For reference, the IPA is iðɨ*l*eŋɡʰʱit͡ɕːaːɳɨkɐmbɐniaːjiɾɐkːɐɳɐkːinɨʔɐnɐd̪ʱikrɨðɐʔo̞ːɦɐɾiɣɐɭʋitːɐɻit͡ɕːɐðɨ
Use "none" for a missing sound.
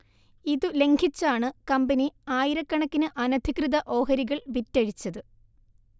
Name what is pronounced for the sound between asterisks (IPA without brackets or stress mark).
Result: l